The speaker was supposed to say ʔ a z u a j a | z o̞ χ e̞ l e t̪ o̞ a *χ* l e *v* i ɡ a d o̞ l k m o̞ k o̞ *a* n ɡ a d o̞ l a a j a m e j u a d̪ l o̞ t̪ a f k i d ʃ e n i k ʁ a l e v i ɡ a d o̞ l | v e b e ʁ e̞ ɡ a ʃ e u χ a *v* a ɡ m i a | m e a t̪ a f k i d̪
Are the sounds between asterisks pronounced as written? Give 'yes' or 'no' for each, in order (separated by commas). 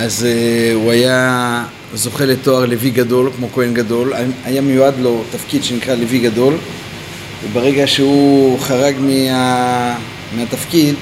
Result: no, yes, no, no